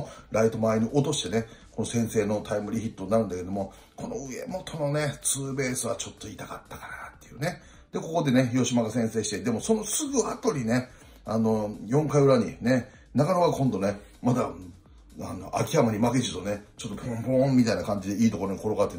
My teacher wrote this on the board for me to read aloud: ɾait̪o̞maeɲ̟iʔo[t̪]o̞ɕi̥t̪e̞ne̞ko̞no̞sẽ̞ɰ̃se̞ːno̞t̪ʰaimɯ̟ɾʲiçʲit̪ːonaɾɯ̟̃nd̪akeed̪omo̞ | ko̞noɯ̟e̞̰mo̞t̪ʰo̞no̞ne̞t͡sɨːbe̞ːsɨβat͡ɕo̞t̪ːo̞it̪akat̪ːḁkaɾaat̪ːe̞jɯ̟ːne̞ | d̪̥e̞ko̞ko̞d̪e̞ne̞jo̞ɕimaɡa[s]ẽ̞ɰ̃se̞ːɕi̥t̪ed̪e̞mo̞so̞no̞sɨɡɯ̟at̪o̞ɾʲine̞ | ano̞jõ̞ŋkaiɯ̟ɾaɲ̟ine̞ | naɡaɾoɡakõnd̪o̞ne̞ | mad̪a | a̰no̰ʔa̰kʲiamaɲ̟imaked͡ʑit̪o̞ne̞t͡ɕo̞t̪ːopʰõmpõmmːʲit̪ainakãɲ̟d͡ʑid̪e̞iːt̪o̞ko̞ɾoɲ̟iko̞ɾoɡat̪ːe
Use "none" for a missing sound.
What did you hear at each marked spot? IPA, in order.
t̪, s

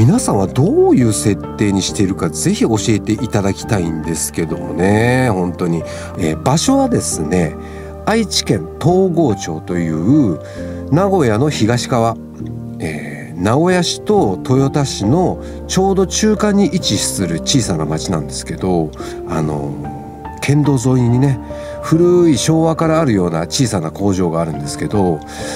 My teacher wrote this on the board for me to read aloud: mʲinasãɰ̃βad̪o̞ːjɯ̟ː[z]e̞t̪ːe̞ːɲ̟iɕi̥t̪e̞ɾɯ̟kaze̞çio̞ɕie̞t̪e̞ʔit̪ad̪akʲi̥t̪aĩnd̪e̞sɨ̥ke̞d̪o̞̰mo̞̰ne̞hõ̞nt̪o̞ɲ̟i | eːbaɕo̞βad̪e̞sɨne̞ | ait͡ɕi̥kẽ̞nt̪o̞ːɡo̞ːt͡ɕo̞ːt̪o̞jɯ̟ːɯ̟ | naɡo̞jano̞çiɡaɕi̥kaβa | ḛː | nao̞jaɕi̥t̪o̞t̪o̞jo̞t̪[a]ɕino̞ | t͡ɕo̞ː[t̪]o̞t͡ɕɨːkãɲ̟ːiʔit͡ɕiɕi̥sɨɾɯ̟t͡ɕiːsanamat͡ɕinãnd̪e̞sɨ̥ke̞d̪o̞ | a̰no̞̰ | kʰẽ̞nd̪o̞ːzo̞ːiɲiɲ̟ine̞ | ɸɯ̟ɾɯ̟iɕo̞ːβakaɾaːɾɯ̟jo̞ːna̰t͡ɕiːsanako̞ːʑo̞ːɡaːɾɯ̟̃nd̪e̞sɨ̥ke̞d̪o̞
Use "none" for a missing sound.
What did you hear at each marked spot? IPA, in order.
s, a, d̪

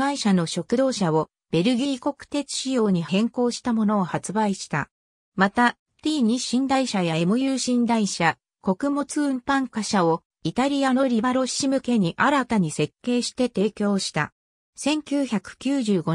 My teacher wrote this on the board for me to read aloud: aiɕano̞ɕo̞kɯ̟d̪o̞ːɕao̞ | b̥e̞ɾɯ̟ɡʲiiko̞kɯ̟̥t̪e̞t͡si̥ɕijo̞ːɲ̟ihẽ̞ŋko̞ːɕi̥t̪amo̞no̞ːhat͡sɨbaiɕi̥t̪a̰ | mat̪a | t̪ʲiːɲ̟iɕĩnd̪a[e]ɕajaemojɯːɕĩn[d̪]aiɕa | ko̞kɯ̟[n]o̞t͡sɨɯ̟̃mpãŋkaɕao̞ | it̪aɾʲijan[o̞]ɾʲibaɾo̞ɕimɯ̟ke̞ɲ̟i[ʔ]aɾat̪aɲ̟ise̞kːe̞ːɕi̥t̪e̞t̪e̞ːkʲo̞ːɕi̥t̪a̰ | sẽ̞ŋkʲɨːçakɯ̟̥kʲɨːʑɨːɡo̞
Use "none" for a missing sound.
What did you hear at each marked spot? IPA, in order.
i, d̪, m, o̞, ʔ

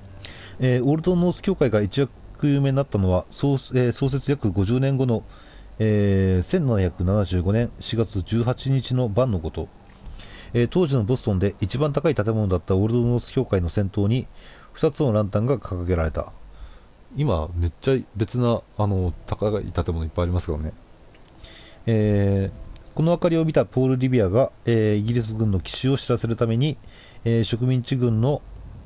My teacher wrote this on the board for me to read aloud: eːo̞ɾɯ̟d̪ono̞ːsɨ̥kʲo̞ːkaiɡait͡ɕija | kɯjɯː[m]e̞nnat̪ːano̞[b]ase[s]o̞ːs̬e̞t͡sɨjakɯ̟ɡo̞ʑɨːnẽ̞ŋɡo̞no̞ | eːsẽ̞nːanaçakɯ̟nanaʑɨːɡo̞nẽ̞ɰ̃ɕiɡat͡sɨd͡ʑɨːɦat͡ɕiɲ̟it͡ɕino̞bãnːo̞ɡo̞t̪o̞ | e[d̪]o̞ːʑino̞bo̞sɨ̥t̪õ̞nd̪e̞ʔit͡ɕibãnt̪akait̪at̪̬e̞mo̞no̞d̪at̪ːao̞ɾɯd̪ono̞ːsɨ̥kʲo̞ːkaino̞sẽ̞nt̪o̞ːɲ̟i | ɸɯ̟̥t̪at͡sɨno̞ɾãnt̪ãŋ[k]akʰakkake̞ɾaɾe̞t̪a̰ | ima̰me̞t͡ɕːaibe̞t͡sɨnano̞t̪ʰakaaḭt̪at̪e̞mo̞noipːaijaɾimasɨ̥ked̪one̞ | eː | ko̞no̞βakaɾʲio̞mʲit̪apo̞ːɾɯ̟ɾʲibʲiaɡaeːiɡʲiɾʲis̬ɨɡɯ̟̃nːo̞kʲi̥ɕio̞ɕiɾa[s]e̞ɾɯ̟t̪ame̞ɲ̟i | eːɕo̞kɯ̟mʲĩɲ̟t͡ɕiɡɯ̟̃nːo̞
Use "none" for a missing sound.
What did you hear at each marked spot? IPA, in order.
m, β, s, t̪, ɡ, s

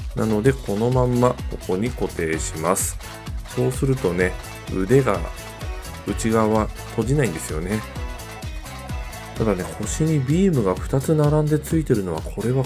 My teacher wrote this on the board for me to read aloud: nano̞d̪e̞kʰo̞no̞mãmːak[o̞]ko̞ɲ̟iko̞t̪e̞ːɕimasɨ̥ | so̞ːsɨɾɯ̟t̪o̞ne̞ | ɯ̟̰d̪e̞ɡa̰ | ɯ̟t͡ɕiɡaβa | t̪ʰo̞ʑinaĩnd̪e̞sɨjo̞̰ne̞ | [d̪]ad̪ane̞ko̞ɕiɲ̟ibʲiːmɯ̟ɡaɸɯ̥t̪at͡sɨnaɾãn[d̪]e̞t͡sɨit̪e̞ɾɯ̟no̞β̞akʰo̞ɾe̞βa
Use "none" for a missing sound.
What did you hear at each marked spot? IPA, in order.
o̞, t̪, d̪

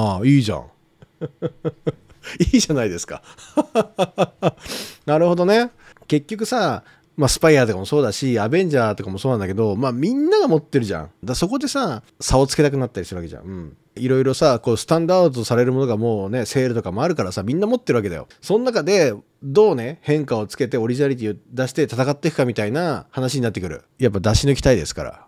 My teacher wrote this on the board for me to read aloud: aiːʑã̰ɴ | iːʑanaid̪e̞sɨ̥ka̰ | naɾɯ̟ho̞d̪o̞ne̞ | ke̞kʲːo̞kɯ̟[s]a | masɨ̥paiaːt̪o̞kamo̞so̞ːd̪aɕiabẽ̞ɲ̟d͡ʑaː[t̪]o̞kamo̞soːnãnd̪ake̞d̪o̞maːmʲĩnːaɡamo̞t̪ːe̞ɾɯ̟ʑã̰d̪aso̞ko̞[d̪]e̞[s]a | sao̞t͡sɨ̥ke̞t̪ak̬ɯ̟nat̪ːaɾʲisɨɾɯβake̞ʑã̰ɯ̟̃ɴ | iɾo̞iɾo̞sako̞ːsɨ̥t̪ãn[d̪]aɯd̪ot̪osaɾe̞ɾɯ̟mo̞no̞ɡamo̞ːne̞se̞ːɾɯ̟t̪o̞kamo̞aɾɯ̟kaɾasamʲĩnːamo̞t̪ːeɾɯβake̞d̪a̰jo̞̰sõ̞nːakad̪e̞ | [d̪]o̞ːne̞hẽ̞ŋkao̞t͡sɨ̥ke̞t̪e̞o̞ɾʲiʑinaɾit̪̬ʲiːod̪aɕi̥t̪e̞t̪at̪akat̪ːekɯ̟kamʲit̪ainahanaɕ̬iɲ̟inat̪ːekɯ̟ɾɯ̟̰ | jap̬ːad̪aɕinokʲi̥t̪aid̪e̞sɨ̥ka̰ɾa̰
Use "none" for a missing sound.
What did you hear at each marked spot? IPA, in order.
s, t̪, d̪, s, d̪, d̪

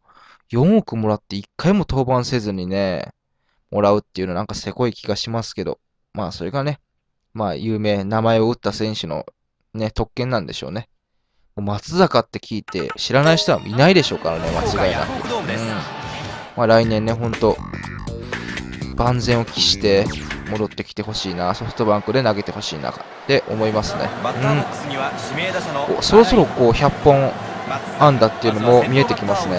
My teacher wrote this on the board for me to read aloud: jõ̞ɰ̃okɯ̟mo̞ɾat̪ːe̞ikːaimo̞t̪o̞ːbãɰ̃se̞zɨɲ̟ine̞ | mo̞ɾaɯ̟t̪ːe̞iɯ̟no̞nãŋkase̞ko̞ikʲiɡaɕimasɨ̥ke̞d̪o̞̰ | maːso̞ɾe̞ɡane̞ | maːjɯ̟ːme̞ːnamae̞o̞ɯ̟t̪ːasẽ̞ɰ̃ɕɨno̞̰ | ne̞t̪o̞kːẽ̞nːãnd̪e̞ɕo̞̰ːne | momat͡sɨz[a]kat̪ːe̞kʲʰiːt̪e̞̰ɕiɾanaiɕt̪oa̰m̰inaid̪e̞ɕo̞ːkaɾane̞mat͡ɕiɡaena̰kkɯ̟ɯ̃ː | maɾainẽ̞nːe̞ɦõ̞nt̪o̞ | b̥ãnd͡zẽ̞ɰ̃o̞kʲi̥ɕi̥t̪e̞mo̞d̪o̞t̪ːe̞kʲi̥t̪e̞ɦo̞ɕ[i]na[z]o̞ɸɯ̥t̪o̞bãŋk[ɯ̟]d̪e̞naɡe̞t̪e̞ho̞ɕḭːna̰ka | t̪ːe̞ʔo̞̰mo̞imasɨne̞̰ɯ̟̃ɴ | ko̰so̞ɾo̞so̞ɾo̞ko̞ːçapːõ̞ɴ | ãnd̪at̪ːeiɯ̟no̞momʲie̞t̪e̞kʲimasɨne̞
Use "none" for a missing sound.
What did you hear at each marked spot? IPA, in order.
a, iː, s, ɯ̟

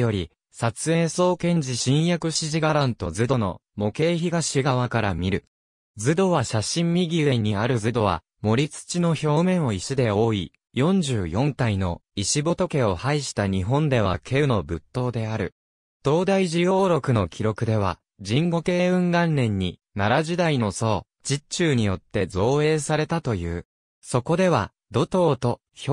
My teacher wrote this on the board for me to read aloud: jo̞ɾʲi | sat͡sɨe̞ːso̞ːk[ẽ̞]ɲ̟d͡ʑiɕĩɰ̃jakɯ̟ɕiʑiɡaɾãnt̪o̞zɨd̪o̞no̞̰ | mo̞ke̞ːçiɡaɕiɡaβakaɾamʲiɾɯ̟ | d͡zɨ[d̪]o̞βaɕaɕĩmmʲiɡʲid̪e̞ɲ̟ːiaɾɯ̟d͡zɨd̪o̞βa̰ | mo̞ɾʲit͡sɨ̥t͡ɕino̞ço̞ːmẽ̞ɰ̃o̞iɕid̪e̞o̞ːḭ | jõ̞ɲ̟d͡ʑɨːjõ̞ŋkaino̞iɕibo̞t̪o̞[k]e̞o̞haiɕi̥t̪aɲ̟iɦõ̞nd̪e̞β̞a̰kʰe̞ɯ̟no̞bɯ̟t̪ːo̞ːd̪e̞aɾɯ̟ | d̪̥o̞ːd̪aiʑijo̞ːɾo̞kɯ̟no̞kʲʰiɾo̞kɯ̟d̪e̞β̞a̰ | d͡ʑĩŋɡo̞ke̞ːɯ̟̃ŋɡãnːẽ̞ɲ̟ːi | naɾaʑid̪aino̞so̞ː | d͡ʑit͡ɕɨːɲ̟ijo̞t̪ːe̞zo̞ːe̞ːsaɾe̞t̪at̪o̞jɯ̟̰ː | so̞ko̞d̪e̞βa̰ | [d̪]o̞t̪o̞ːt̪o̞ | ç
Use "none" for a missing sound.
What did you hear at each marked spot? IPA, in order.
ẽ̞, d̪, k, d̪

